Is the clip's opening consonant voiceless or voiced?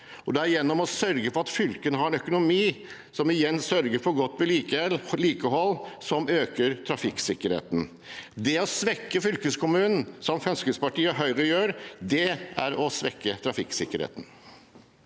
voiced